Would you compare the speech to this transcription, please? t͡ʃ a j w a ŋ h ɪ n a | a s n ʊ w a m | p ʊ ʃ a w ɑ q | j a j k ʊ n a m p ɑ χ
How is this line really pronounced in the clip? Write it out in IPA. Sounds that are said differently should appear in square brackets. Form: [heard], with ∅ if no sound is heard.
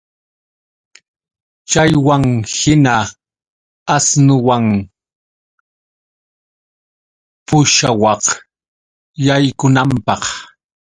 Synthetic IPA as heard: t͡ʃ a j w a ŋ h ɪ n a | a s n ʊ w a [ŋ] | p ʊ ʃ a w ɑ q | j a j k ʊ n a m p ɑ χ